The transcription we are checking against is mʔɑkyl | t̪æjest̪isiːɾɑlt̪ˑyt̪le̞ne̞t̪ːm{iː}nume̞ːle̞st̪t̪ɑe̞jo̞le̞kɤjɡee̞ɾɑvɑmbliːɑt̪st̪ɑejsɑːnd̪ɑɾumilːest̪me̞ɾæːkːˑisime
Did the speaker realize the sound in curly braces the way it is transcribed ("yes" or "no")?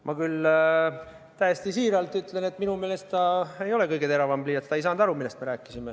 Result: no